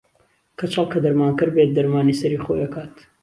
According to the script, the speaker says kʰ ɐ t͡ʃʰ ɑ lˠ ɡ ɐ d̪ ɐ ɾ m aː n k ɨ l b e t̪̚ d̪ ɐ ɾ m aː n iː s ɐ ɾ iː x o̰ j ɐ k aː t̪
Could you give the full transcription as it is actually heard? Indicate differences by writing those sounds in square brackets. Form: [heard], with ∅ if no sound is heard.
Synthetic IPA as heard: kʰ ɐ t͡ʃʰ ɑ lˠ [k] ɐ d̪ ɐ ɾ m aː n k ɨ [ɾ] b e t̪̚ d̪ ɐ ɾ m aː n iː s ɐ ɾ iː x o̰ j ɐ k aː t̪